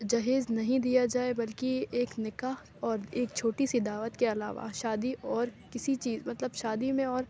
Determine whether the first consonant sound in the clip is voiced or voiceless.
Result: voiced